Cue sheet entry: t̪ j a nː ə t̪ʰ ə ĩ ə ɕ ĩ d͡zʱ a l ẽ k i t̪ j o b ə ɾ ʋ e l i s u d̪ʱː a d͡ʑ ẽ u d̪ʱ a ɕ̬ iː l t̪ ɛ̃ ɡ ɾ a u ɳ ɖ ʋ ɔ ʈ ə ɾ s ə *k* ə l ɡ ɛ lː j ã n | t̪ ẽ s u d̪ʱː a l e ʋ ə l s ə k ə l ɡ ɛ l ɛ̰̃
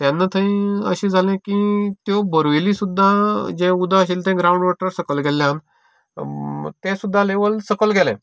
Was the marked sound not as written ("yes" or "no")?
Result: no